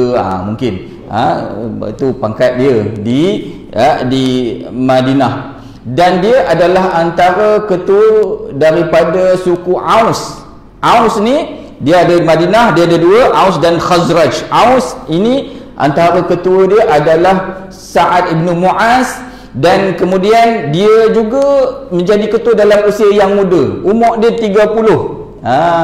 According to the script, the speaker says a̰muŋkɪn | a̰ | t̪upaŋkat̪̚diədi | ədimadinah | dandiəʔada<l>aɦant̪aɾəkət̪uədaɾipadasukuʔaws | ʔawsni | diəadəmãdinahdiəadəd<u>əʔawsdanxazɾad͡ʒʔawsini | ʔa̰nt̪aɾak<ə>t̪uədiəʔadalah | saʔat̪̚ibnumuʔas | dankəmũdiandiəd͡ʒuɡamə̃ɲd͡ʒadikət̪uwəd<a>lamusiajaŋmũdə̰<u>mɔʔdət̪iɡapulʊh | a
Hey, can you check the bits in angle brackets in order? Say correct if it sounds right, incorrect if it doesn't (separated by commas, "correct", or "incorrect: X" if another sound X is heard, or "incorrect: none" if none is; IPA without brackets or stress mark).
correct, correct, correct, correct, correct